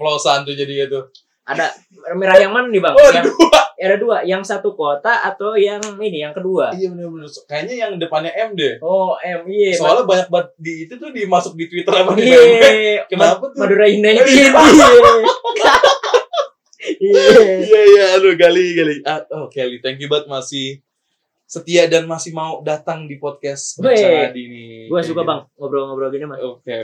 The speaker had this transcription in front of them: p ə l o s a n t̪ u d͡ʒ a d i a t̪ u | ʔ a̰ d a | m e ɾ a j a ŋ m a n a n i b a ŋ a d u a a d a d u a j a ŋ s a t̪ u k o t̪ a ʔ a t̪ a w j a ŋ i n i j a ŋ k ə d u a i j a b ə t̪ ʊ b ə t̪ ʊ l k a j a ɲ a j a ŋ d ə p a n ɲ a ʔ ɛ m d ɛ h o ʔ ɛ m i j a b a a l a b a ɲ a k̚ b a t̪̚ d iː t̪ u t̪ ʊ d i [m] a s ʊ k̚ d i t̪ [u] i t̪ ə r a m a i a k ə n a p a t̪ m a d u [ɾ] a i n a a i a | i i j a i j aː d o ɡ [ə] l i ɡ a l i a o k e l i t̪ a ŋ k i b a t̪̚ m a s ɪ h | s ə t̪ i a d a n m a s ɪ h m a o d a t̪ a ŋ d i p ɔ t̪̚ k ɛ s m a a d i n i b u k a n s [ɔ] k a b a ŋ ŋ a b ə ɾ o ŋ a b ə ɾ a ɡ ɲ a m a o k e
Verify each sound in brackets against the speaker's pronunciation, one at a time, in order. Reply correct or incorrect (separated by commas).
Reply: correct, incorrect, correct, incorrect, incorrect